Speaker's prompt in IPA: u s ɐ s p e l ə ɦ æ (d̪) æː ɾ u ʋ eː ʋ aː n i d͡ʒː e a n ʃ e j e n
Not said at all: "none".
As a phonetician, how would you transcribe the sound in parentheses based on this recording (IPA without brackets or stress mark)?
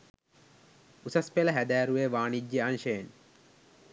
d̪